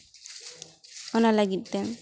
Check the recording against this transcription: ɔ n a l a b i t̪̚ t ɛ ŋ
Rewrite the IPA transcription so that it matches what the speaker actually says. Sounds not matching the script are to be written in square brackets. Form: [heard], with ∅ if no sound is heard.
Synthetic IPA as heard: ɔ n a l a [ɡ] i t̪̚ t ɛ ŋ